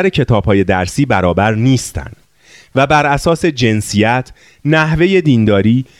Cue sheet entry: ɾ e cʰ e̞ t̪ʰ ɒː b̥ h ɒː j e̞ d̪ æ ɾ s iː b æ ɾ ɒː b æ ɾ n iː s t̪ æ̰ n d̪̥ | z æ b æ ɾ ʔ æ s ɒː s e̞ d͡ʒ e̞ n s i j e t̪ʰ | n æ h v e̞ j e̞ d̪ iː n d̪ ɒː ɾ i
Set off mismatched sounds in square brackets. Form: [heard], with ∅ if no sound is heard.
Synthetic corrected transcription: ɾ e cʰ e̞ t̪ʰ ɒː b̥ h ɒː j e̞ d̪ æ ɾ s iː b æ ɾ ɒː b æ ɾ n iː s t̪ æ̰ n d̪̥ | [v] æ b æ ɾ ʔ æ s ɒː s e̞ d͡ʒ e̞ n s i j [æ] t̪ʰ | n æ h v e̞ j e̞ d̪ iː n d̪ ɒː ɾ [iː]